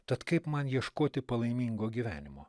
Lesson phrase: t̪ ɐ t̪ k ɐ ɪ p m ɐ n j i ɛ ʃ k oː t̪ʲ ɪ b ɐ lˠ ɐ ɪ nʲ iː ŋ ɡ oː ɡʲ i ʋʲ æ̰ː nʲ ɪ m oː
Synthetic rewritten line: t̪ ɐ t̪ k ɐ ɪ p m ɐ n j i ɛ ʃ k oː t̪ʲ ɪ p ɐ lˠ ɐ ɪ mʲ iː ŋ ɡ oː ɡʲ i ʋʲ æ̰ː nʲ ɪ m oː